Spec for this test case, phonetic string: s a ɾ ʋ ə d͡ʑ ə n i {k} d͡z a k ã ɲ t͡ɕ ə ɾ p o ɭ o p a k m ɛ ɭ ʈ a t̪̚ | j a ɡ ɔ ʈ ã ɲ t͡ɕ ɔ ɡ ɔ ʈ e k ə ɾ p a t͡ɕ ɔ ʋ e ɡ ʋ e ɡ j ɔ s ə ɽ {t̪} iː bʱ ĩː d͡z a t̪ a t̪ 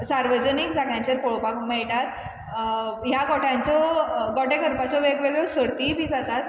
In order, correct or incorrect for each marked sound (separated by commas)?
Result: correct, correct